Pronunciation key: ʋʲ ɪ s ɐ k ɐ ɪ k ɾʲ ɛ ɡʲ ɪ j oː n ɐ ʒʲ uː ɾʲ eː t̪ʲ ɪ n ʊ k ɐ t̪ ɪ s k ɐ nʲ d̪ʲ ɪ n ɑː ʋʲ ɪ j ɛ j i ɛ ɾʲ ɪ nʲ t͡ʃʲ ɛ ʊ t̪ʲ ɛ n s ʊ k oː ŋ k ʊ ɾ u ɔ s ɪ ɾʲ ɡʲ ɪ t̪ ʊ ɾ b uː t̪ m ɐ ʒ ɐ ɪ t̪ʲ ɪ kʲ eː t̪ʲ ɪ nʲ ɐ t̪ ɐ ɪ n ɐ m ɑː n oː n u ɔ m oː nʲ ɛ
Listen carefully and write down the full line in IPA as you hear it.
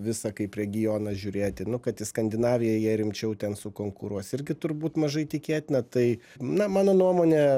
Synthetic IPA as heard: ʋʲ ɪ s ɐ k ɐ ɪ p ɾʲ ɛ ɡʲ ɪ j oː n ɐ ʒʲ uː ɾʲ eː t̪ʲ ɪ n ʊ k ɐ t̪ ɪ s k ɐ nʲ d̪ʲ ɪ n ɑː ʋʲ ɪ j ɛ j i ɛ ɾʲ ɪ mʲ t͡ʃʲ ɛ ʊ t̪ʲ ɛ n s ʊ k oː ŋ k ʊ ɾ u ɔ s ɪ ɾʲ ɡʲ ɪ t̪ ʊ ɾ b uː t̪ m ɐ ʒ ɐ ɪ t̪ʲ ɪ kʲ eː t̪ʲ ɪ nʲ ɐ t̪ ɐ ɪ n ɐ m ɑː n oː n u ɔ m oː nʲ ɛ

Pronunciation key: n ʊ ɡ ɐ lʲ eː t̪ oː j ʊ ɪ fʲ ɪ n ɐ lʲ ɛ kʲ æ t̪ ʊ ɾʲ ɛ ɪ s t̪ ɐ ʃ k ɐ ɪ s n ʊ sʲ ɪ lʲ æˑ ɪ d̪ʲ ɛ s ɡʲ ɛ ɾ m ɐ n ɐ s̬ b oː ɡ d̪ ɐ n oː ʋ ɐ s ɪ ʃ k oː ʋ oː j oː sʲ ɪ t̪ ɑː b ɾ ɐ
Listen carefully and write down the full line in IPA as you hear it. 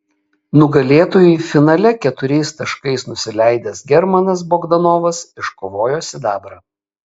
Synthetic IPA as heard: n ʊ ɡ ɐ lʲ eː t̪ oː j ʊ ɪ fʲ ɪ n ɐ lʲ ɛ kʲ ɛ t̪ ʊ ɾʲ ɛ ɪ s t̪ ɐ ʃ k ɐ ɪ s n ʊ sʲ ɪ lʲ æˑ ɪ d̪ʲ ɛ s ɡʲ ɛ ɾ m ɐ n ɐ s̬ b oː ɡ d̪ ɐ n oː ʋ ɐ s ɪ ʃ k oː ʋ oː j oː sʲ ɪ d̪ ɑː b ɾ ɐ

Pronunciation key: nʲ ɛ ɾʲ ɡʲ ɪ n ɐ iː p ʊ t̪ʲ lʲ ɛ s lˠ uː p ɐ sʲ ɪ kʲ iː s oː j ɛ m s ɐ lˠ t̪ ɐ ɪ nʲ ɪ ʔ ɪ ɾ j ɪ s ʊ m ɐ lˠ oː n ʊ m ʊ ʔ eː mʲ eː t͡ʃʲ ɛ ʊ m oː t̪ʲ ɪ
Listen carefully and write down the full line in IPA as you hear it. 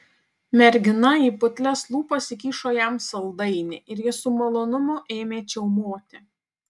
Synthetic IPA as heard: mʲ ɛ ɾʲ ɡʲ ɪ n ɐ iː p ʊ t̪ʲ lʲ ɛ s lˠ uː p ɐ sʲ ɪ kʲ iː ʃ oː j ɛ m s ɐ lˠ d̪ ɐ ɪ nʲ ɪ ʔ ɪ ɾ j ɪ s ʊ m ɐ lˠ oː n ʊ m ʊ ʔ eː mʲ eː t͡ʃʲ ɛ ʊ m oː t̪ʲ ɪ

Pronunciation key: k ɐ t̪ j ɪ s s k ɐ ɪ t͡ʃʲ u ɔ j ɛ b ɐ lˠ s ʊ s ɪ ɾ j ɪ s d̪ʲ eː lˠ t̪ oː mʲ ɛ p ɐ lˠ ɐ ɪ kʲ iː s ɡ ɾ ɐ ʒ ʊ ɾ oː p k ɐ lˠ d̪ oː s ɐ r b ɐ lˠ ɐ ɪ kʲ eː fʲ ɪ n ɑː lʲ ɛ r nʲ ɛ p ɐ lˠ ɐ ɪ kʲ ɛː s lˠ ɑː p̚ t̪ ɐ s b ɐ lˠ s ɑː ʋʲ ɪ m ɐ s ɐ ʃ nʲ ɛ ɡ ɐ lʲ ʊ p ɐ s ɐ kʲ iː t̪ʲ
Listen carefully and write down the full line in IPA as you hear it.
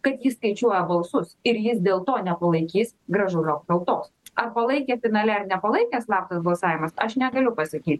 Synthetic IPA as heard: k ɐ t̪ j ɪ s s k ɐ ɪ t͡ʃʲ u ɔ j ɛ b ɐ lˠ s ʊ s ɪ ɾ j ɪ s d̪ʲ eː lˠ t̪ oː nʲ ɛ p ɐ lˠ ɐ ɪ kʲ iː s ɡ ɾ ɐ ʒ ʊ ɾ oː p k ɐ lˠ t̪ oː s ɐ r p ɐ lˠ ɐ ɪ kʲ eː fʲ ɪ n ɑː lʲ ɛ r nʲ ɛ p ɐ lˠ ɐ ɪ kʲ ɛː s lˠ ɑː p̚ t̪ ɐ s b ɐ lˠ s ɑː ʋʲ ɪ m ɐ s ɐ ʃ nʲ ɛ ɡ ɐ lʲ ʊ p ɐ s ɐ kʲ iː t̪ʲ

